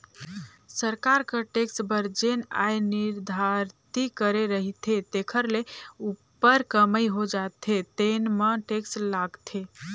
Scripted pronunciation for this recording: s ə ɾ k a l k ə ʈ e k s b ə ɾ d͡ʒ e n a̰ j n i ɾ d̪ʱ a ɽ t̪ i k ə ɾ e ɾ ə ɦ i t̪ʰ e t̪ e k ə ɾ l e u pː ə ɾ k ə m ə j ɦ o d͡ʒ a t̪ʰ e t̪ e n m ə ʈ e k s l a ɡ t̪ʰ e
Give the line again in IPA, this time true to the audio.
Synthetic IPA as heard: s ə ɾ k a ɾ k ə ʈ e k s b ə ɾ d͡ʒ e n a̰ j n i ɾ d̪ʱ a ɾ t̪ i k ə ɾ e ɾ ə ɦ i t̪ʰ e t̪ e kʰ ə ɾ l e u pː ə ɾ k ə m ə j ɦ o d͡ʒ a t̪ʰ e t̪ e n m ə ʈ e k s l a ɡ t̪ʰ e